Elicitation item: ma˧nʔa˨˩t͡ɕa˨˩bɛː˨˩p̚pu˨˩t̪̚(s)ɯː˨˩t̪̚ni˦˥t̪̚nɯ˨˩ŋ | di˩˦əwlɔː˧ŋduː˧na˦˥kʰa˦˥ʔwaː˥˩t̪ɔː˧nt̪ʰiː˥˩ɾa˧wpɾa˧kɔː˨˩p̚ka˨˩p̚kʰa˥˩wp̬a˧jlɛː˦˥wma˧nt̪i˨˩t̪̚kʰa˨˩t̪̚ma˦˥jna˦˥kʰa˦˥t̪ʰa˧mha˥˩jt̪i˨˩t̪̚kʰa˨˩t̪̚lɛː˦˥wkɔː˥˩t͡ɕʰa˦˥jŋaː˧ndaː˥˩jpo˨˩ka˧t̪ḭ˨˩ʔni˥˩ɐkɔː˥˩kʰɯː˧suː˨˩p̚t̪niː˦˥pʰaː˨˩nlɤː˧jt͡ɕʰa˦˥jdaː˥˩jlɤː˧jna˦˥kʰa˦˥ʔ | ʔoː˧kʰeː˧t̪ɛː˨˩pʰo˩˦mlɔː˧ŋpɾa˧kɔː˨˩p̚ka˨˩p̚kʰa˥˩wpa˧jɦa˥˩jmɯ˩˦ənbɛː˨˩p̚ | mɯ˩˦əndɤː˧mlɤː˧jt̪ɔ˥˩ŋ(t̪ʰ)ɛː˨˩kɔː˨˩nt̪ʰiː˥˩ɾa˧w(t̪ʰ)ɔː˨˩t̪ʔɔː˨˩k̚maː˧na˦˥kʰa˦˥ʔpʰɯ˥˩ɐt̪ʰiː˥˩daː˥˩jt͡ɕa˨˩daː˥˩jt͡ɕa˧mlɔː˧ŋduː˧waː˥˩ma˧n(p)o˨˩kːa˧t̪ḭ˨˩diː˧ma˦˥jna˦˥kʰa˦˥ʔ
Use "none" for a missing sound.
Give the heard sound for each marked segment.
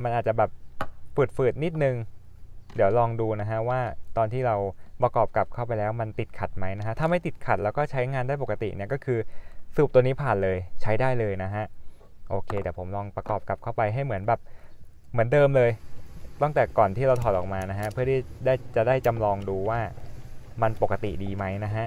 f, t̪, t̪ʰ, p

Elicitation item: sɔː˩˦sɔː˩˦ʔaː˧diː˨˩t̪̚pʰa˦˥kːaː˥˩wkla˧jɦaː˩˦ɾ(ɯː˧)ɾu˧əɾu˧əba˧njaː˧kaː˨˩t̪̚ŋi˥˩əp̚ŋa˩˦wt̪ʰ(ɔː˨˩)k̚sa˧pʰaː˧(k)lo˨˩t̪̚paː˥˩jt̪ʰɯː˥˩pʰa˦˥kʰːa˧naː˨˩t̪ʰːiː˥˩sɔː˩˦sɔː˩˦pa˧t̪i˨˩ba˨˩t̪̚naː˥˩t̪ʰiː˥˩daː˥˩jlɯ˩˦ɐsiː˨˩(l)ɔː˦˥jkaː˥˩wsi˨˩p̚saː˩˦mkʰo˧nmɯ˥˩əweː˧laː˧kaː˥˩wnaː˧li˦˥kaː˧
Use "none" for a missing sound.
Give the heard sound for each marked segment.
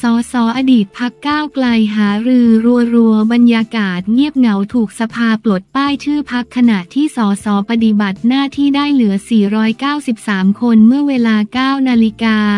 ɯː˧, uː˨˩, p, ɾ

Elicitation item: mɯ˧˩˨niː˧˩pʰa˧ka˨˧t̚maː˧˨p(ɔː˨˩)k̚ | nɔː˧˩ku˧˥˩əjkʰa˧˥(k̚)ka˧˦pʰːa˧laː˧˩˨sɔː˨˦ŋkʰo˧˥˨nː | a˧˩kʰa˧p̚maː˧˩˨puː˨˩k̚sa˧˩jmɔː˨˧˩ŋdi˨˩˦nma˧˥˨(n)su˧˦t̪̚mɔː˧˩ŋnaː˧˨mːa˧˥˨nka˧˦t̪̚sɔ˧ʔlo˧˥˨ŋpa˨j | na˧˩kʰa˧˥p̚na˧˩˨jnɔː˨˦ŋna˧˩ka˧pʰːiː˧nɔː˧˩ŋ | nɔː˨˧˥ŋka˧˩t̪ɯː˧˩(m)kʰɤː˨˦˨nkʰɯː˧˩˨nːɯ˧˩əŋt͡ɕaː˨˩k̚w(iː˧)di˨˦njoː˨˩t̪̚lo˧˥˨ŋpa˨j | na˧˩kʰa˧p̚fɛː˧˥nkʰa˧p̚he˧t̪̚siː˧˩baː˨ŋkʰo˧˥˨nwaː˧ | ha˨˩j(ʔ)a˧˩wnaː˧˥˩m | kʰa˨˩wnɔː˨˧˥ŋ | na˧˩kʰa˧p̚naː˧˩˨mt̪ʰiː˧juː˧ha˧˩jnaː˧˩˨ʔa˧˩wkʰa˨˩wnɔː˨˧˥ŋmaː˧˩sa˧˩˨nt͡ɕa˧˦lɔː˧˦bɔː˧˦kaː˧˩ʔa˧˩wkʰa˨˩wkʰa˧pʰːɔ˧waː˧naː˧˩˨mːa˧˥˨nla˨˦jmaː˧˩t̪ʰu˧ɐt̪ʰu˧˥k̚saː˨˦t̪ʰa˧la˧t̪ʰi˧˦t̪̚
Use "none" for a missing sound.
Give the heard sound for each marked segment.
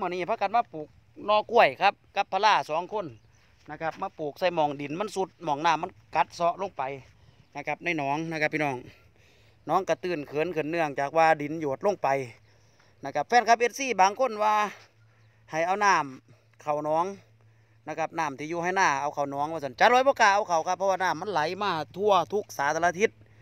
uː˨˩, p̚, n, n, aː˧, ʔ

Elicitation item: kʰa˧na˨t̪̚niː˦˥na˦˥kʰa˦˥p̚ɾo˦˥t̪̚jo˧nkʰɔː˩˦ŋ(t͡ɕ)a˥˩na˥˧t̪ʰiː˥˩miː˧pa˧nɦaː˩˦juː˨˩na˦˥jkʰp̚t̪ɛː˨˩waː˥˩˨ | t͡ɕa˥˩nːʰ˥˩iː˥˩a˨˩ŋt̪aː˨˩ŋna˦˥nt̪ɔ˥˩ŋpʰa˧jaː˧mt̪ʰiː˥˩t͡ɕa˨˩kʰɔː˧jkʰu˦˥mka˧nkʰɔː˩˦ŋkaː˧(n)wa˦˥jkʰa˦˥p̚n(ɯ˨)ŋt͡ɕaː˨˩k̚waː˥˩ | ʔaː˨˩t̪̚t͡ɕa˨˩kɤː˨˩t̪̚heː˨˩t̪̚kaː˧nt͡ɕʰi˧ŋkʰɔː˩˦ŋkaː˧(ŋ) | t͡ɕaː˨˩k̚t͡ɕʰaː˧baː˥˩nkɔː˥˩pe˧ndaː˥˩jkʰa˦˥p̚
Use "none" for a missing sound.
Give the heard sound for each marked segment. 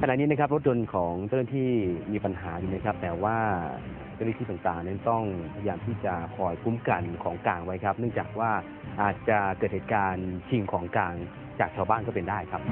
t͡ɕ, ŋ, ɯ˥˩, ŋ

